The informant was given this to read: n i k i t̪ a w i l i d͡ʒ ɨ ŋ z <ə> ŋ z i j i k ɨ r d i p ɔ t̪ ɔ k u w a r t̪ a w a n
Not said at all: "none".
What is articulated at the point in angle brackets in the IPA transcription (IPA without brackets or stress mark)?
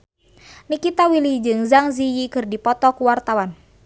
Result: a